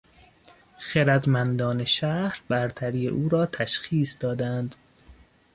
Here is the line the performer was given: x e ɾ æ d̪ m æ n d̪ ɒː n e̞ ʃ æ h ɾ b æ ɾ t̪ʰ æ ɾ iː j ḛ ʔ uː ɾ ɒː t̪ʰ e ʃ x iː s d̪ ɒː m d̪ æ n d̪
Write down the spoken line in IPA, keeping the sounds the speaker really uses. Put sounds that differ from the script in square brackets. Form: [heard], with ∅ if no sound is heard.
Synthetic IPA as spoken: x e ɾ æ d̪ m æ n d̪ ɒː n e̞ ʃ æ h ɾ b æ ɾ t̪ʰ æ ɾ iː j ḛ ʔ uː ɾ ɒː t̪ʰ [æ] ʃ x iː s d̪ ɒː [∅] d̪ æ n d̪